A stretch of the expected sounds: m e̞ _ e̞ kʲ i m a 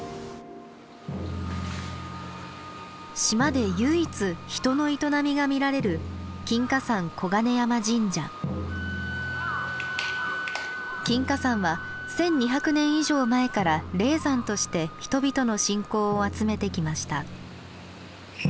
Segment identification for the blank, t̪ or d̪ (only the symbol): t̪